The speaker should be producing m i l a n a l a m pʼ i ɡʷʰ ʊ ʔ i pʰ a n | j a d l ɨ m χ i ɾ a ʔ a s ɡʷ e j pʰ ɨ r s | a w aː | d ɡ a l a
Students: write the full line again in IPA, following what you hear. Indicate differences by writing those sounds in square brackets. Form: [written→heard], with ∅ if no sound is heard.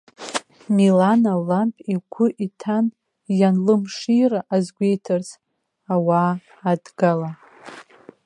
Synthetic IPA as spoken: m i l a n a l a m pʼ i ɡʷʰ ʊ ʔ i [pʰ→tʰ] a n | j a [d→n] l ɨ m [χ→ʂ] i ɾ a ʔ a [s→z] ɡʷ e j [pʰ→tʰ] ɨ r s | a w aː | d ɡ a l a